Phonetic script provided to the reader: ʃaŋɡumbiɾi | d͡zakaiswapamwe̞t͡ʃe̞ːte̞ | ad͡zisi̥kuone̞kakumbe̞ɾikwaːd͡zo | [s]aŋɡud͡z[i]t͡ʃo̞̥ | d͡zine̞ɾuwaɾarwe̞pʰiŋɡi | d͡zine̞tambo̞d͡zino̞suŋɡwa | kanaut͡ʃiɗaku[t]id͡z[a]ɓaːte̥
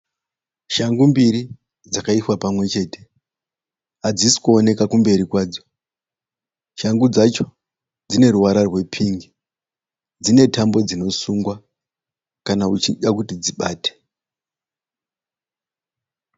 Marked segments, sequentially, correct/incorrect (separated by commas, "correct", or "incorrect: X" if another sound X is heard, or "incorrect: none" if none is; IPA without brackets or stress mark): incorrect: ʃ, incorrect: a, correct, incorrect: i